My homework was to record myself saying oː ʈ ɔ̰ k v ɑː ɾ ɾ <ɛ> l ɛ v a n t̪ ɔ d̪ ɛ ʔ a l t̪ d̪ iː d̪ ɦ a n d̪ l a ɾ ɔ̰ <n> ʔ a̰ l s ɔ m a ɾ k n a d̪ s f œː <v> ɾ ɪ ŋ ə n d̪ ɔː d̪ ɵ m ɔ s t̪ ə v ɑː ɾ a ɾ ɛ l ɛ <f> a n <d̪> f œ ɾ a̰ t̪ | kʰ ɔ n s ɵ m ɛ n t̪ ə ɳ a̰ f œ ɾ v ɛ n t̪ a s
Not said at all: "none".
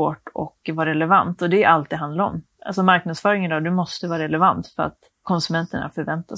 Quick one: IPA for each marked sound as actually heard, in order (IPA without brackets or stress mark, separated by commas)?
ɛ, m, none, v, t̪